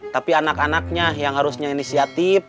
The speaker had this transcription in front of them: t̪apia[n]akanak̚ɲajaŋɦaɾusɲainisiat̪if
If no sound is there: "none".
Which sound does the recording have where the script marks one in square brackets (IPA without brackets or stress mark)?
n